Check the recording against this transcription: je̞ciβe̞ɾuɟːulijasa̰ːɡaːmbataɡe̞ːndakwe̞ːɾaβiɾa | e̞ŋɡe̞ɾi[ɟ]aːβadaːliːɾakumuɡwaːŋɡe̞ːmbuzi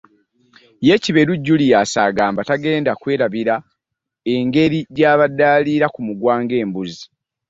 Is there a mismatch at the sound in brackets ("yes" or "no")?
no